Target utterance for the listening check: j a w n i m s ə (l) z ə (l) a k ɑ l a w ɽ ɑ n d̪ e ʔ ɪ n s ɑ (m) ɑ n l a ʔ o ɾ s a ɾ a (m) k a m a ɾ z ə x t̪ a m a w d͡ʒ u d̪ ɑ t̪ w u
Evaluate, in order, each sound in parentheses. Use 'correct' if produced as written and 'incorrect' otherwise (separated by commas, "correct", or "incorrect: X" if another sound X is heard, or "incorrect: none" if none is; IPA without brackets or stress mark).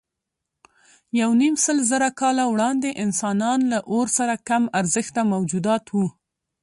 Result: correct, incorrect: ɾ, incorrect: n, incorrect: none